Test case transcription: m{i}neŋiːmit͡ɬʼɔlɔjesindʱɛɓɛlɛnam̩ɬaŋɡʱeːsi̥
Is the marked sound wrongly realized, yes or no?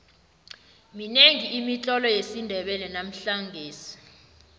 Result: no